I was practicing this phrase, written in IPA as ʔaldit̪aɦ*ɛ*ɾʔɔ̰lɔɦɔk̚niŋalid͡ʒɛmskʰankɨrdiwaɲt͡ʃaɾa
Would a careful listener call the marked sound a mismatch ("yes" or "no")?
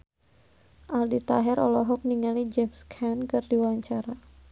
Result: no